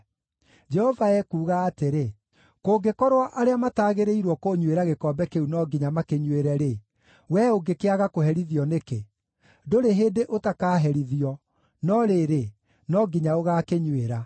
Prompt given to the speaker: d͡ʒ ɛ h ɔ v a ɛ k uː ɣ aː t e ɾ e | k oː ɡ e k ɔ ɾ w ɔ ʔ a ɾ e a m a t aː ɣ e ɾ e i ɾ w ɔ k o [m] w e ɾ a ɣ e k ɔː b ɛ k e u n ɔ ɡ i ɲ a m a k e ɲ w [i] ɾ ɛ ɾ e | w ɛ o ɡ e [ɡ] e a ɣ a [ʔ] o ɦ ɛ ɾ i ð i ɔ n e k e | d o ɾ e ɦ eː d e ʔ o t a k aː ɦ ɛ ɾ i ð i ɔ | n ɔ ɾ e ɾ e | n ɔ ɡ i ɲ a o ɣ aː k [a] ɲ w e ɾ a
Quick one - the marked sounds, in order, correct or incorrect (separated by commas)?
incorrect, incorrect, incorrect, incorrect, incorrect